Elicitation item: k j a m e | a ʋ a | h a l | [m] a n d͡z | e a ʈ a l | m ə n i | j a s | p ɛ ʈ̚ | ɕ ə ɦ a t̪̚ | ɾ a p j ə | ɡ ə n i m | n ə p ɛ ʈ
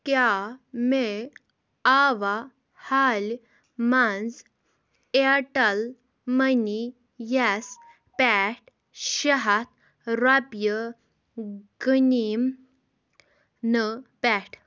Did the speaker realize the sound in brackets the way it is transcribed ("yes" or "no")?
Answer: yes